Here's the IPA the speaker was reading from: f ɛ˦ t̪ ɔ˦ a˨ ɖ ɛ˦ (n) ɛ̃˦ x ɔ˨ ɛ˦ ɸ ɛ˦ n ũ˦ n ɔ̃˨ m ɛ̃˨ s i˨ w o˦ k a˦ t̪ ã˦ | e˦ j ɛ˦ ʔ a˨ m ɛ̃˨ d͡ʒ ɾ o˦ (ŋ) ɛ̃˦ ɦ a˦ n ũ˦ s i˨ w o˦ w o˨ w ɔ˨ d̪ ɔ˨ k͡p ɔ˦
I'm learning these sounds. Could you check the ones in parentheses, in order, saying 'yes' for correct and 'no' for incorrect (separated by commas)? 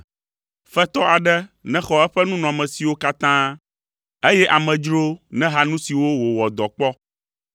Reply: yes, no